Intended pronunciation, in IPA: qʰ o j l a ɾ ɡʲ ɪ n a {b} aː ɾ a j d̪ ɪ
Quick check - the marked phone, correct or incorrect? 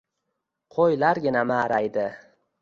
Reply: incorrect